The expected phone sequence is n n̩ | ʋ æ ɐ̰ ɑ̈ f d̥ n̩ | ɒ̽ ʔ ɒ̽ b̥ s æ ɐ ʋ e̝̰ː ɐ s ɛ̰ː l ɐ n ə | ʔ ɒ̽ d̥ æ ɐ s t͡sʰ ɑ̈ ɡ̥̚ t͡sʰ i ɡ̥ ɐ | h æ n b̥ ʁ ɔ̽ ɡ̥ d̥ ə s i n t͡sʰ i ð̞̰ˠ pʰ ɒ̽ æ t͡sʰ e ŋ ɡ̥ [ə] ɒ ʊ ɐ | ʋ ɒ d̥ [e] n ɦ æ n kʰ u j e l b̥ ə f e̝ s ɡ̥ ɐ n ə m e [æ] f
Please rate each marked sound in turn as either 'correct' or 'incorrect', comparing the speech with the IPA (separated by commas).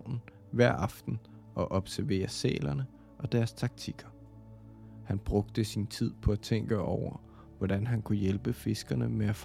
correct, incorrect, correct